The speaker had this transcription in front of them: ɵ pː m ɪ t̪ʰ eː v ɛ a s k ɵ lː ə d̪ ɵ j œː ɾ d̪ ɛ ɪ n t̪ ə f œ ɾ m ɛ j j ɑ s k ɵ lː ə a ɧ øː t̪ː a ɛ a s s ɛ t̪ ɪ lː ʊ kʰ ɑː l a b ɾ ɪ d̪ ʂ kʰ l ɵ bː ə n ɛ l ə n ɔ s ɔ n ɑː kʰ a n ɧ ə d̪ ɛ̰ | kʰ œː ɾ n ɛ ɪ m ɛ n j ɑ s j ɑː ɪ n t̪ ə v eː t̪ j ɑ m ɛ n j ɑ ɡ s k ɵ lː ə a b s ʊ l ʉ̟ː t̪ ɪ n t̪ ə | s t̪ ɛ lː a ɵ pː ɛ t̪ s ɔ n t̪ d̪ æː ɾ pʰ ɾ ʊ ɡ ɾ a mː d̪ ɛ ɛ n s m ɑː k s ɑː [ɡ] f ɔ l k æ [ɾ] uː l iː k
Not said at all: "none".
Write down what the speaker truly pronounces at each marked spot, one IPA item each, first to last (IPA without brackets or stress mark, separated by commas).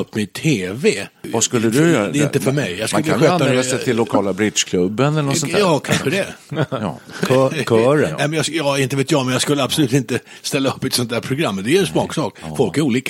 k, ɾ